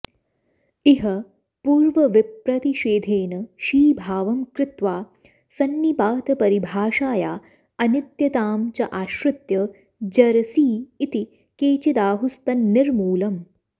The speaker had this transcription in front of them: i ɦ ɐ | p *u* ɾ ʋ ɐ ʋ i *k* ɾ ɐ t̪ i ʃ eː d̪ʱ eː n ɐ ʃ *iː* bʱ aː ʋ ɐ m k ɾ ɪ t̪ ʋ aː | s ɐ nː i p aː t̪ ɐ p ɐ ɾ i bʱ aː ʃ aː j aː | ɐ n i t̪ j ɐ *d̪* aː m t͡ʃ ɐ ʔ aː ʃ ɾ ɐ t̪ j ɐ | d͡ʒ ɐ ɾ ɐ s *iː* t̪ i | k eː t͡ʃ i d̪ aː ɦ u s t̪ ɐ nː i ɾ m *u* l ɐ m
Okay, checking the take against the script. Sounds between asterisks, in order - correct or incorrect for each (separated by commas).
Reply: incorrect, incorrect, correct, incorrect, correct, incorrect